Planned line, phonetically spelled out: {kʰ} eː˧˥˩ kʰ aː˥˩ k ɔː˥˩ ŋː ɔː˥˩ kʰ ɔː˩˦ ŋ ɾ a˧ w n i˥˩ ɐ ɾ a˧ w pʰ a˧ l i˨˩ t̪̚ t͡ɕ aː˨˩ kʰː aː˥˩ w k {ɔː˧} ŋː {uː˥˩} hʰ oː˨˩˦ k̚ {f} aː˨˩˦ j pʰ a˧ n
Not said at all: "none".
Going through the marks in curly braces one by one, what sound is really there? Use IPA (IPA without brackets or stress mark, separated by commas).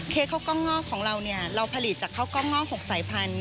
kʰ, ɔː˥˩, ɔː˥˩, s